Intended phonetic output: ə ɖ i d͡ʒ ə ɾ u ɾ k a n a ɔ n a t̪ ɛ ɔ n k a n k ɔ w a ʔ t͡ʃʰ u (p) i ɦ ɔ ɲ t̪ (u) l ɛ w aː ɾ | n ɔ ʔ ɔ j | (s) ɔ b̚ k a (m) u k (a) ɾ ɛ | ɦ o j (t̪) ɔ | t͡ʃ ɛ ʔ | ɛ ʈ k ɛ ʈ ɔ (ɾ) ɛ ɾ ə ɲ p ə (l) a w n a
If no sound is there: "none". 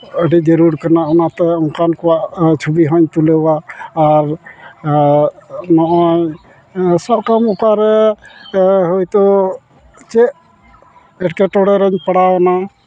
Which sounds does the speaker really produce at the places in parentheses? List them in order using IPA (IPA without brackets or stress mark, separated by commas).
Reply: b, u, s, m, a, t̪, ɽ, ɽ